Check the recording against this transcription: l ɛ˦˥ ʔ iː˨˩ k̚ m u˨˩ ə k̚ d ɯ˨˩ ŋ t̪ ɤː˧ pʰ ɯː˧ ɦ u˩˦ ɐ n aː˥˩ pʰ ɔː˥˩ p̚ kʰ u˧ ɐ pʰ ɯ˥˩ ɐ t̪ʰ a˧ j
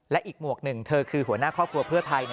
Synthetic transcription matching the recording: l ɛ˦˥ ʔ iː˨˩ k̚ m u˨˩ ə k̚ n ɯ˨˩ ŋ t̪ʰ ɤː˧ kʰ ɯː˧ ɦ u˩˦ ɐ n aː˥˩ kʰ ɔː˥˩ p̚ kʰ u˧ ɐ pʰ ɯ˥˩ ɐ t̪ʰ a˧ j